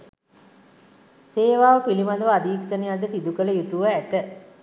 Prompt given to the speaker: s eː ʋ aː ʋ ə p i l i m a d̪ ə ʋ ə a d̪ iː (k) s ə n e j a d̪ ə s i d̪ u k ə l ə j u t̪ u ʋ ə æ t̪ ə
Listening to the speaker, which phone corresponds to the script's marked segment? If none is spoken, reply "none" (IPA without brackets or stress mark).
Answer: k